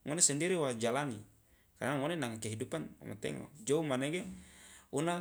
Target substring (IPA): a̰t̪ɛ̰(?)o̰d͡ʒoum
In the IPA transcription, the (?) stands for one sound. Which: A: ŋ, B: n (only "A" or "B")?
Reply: A